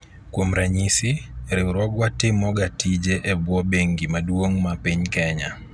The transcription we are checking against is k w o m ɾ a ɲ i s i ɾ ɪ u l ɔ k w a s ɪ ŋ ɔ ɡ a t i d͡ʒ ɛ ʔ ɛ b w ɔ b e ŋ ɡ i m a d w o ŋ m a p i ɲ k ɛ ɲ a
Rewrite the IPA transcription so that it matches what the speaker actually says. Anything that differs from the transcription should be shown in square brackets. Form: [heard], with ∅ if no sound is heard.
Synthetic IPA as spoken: k w o m ɾ a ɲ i s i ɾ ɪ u [ɾ] ɔ [ɡ] w a [t] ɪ [m] ɔ ɡ a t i d͡ʒ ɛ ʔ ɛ b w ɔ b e ŋ ɡ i m a d w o ŋ m a p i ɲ k ɛ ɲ a

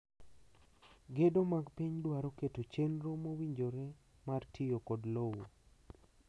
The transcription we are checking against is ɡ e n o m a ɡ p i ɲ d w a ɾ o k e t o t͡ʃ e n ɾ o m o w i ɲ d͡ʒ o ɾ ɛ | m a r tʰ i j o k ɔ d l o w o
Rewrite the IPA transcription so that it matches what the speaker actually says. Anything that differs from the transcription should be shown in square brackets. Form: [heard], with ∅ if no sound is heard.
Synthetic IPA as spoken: ɡ e [d] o m a ɡ p i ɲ d w a ɾ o k e t o t͡ʃ e n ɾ o m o w i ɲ d͡ʒ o ɾ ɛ | m a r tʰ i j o k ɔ d l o w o

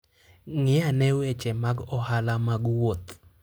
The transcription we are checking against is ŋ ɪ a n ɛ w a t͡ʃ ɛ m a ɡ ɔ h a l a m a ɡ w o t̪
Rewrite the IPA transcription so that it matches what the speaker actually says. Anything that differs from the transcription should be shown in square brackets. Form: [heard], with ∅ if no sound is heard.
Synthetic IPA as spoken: ŋ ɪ a n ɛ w [e] t͡ʃ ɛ m a ɡ ɔ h a l a m a ɡ w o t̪

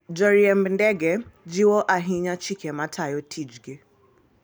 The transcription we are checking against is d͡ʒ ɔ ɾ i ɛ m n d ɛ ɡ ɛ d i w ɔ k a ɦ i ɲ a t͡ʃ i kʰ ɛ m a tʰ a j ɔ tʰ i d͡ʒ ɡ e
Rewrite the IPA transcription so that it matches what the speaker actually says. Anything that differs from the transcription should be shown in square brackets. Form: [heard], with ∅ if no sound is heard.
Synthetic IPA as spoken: d͡ʒ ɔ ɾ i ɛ m n d ɛ ɡ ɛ [d͡ʒ] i w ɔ [ʔ] a ɦ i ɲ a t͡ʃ i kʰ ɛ m a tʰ a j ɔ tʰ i d͡ʒ ɡ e

